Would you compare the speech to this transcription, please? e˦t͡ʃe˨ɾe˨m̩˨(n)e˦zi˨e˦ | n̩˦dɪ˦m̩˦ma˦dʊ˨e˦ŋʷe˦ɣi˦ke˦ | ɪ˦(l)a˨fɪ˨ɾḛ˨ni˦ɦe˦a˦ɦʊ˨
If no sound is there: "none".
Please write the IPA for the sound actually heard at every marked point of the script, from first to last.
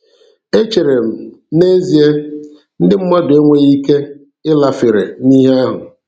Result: n, l

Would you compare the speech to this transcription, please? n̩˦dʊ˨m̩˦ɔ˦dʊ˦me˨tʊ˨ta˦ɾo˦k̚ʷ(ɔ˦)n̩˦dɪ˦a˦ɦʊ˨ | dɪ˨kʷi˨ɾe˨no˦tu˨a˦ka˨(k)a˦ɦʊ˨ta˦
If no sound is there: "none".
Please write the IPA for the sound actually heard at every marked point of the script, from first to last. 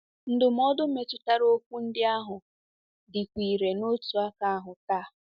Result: u˦, none

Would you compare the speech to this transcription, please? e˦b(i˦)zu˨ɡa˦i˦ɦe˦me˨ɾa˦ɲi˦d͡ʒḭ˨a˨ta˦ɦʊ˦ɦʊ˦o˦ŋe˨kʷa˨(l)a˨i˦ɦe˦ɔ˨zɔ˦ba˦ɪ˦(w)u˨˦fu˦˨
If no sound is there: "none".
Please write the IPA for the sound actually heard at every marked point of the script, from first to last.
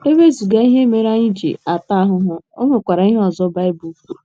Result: e˦, ɾ, b

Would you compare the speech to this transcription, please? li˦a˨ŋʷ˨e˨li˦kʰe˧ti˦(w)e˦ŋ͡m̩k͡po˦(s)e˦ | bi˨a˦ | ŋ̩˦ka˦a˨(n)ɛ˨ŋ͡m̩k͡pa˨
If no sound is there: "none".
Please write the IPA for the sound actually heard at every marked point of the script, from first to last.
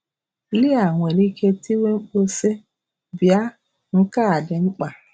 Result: w, s, d

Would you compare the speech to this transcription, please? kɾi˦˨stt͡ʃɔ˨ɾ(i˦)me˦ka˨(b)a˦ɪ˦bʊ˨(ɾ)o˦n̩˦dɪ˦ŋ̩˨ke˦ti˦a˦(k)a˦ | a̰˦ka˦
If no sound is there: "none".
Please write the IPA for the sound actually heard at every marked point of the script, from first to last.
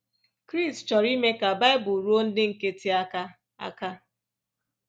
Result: i˦, b, ɾ, k

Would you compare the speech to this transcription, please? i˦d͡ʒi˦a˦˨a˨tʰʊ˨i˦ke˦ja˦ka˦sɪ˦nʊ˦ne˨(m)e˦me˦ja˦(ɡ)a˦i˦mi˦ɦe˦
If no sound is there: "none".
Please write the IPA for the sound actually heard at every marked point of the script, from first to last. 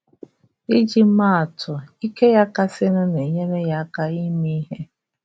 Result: ɲ, k

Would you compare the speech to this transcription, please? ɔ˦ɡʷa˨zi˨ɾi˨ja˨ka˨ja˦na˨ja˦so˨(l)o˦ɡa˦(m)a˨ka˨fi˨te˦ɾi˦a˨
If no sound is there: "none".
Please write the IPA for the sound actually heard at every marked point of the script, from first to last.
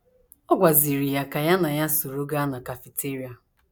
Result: ɾ, n

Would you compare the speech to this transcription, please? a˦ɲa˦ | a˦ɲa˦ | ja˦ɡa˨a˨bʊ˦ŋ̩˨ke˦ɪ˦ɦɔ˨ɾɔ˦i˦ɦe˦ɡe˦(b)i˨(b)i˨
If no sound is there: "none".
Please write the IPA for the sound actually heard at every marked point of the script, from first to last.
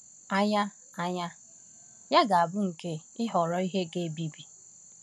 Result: b, b

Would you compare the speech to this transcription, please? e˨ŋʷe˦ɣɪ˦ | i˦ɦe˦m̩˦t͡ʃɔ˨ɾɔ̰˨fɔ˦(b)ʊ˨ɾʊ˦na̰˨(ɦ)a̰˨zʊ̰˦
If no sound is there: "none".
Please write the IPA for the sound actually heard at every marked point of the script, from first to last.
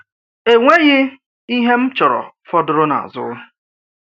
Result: d, none

